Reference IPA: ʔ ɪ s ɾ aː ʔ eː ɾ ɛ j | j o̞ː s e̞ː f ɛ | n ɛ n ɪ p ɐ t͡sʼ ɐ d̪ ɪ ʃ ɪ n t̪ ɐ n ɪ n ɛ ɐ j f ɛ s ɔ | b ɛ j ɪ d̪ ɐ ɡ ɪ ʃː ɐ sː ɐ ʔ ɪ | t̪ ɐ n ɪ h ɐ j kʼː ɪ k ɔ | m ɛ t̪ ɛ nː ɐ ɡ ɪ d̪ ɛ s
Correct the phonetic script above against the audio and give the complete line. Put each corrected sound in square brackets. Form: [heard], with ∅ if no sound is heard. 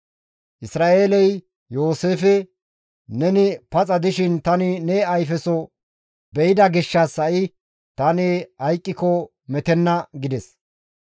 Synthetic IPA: ʔ ɪ s ɾ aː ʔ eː [l] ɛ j | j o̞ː s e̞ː f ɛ | n ɛ n ɪ p ɐ t͡sʼ ɐ d̪ ɪ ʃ ɪ n t̪ ɐ n ɪ n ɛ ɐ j f ɛ s ɔ | b ɛ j ɪ d̪ ɐ ɡ ɪ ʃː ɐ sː ɐ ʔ ɪ | t̪ ɐ n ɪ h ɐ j kʼː ɪ k ɔ | m ɛ t̪ ɛ nː ɐ ɡ ɪ d̪ ɛ s